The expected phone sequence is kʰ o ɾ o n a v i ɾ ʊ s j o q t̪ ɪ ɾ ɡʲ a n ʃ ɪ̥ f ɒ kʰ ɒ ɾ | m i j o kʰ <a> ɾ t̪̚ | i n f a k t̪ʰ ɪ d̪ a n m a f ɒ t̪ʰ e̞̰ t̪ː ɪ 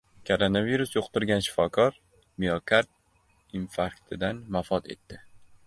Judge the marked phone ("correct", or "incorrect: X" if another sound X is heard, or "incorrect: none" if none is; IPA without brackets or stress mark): correct